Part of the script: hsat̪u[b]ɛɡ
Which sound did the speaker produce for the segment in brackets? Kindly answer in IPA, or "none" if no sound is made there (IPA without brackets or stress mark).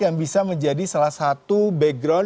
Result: b